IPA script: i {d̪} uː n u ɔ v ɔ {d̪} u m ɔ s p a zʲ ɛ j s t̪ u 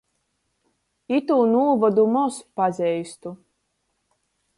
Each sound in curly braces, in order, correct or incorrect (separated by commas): incorrect, correct